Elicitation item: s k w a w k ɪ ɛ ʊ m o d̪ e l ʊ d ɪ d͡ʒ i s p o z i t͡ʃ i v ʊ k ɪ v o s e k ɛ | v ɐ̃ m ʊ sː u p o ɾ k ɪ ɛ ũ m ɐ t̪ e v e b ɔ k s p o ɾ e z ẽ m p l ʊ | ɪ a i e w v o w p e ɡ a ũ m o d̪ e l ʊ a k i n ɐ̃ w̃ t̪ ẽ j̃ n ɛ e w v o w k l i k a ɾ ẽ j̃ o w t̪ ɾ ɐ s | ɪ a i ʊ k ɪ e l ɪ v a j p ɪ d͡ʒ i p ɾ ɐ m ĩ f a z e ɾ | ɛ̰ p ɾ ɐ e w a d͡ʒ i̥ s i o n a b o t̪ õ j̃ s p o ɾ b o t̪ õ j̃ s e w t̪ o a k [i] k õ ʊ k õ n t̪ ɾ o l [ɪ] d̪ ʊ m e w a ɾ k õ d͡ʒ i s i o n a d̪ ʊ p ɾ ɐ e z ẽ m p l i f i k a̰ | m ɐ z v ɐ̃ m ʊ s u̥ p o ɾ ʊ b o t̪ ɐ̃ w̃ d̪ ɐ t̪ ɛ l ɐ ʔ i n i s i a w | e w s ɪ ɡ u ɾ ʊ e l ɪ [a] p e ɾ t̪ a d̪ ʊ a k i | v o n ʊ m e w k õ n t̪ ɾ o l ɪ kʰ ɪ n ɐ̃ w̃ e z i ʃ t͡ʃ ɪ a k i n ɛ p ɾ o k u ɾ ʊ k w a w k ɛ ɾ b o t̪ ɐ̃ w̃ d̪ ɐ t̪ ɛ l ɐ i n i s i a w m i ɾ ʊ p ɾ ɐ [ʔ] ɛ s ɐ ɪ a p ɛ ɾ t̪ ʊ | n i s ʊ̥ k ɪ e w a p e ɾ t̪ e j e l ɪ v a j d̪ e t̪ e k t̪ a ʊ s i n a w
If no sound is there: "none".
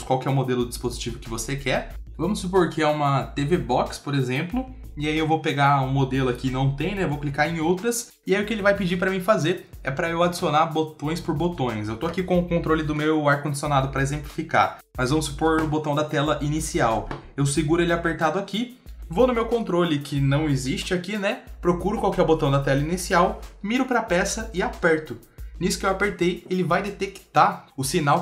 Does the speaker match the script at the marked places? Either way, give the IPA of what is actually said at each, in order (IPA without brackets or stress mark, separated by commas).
i, ɪ, a, p